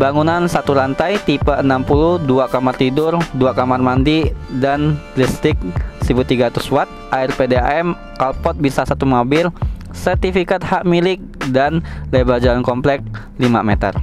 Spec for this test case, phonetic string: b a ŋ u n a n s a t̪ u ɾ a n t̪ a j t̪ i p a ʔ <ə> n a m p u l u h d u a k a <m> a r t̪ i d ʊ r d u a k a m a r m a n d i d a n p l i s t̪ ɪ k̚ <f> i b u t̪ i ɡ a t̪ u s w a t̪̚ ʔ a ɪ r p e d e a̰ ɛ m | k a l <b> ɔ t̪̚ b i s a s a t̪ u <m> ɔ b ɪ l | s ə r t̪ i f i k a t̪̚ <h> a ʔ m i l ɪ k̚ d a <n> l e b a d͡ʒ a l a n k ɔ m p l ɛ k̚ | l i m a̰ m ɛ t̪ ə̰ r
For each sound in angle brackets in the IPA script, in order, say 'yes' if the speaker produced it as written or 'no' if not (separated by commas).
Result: yes, yes, no, no, yes, yes, yes